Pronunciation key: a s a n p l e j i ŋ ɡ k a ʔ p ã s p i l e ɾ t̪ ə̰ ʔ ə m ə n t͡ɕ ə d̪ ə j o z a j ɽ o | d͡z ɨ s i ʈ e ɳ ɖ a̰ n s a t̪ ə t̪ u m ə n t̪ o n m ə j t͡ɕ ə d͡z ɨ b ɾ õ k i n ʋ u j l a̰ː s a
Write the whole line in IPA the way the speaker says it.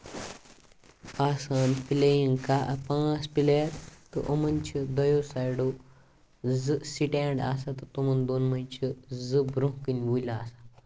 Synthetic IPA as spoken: a s a n p l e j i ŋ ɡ k a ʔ p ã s p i l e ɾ t̪ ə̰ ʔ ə m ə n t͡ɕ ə d̪ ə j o s a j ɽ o | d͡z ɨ s i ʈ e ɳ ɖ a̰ s a t̪ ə t̪ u m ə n d̪ o n m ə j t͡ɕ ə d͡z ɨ b ɾ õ k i n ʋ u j l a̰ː s a